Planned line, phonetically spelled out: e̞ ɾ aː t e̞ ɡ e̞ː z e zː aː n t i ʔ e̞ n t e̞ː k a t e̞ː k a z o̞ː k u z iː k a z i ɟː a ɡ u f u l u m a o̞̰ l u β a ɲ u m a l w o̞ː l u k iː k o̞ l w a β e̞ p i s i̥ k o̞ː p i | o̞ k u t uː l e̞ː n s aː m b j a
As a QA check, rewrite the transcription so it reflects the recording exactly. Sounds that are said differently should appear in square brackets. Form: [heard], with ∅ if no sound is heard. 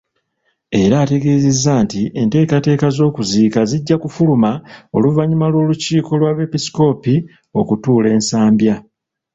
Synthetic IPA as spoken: e̞ ɾ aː t e̞ ɡ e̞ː z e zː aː n t i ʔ e̞ n t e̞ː k a t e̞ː k a z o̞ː k u z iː k a z i ɟː a [k] u f u l u m a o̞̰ l u [v] a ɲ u m a l w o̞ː l u [c] iː k o̞ l w a β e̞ p i s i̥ k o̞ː p i | o̞ k u t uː l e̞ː n s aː m b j a